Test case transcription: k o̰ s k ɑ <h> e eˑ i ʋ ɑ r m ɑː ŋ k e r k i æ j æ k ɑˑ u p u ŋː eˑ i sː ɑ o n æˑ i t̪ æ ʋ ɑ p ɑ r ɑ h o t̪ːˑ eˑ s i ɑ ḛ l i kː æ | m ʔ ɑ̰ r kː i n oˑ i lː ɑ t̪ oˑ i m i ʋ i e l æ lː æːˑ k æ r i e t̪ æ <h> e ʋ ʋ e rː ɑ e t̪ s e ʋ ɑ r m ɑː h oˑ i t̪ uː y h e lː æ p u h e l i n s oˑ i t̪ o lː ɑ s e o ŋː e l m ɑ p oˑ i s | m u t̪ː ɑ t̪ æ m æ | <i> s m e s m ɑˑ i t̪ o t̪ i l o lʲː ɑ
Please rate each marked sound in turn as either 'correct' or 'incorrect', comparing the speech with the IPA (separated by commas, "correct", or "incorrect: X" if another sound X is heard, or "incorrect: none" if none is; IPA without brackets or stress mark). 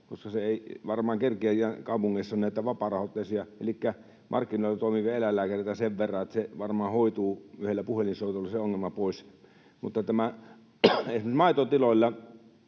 incorrect: s, incorrect: s, incorrect: e